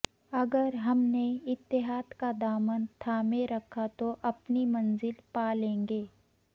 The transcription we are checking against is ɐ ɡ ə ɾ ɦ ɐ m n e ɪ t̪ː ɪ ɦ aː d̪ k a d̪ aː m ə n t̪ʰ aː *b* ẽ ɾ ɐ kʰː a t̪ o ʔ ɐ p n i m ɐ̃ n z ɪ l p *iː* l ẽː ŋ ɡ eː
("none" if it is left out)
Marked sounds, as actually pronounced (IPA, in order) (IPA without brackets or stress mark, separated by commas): m, aː